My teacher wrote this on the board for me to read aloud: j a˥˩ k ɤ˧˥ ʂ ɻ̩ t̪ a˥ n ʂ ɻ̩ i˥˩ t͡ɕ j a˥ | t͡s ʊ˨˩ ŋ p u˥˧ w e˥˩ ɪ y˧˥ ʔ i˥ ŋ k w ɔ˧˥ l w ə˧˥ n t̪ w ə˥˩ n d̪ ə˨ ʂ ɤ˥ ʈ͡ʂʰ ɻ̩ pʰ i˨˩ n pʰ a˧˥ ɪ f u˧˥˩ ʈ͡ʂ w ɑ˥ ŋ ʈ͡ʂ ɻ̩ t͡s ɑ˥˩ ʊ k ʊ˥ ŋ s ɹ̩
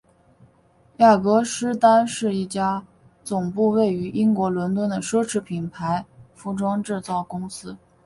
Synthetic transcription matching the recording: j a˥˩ k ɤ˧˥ ʂ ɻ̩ t̪ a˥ n ʂ ɻ̩ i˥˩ t͡ɕ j a˥ | t͡s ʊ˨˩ ŋ p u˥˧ w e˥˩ ɪ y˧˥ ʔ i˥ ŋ k w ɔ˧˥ l w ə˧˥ n t̪ w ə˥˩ n d̪ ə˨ ʂ ɤ˥ ʈ͡ʂʰ ɻ̩ pʰ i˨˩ n pʰ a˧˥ ɪ f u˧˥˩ ʈ͡ʂ w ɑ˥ ŋ ʈ͡ʂ ɻ̩ t͡s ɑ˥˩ ʊ k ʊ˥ ŋ s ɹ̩